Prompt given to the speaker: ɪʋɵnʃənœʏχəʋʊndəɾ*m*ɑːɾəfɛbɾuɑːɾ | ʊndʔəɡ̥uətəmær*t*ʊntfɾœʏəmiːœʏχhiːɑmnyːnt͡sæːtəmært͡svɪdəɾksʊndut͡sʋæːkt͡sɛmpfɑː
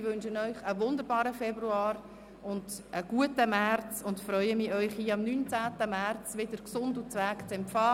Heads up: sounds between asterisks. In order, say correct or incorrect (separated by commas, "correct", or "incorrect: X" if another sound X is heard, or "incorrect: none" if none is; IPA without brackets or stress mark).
incorrect: b, incorrect: t͡s